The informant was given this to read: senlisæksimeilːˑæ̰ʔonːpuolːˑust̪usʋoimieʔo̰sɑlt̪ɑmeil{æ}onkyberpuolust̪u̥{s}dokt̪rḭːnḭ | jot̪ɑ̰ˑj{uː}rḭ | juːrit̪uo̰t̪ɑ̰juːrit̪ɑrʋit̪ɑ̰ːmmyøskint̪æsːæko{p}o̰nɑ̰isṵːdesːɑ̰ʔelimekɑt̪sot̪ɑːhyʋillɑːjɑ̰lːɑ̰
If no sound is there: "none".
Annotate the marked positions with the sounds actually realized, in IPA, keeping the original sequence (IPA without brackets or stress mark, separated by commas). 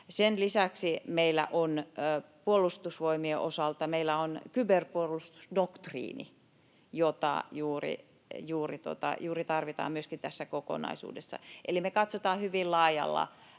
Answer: æ, s, uː, k